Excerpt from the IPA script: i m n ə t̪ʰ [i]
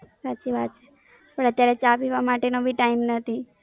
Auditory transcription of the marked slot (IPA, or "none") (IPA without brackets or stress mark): i